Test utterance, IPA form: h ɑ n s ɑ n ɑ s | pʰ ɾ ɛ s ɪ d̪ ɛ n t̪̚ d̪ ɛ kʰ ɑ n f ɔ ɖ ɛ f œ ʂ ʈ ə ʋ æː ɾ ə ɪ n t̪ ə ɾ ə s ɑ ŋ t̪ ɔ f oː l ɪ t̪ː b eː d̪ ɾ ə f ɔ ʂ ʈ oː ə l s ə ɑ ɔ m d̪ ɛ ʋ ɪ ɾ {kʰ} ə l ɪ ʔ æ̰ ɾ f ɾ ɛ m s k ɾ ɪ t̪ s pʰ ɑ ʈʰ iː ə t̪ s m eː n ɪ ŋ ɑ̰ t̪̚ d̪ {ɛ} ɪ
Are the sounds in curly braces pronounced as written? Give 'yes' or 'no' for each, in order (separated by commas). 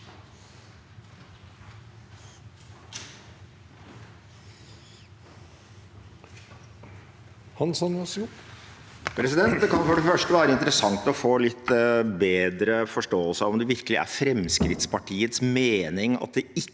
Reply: no, yes